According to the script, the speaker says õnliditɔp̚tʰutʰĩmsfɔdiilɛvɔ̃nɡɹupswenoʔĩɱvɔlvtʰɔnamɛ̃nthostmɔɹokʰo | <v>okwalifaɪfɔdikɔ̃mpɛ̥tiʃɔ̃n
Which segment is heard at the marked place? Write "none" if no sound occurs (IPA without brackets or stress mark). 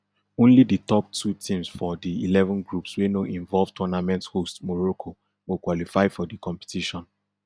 w